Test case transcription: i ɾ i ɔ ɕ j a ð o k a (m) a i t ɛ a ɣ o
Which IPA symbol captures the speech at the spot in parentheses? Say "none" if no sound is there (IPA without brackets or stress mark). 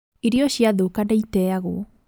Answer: n